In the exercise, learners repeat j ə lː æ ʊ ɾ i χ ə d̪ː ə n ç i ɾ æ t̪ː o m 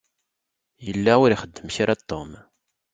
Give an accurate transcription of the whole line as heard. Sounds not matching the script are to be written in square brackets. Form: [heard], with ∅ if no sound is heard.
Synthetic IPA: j ə lː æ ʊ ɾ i χ ə d̪ː ə [m] ç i ɾ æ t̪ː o m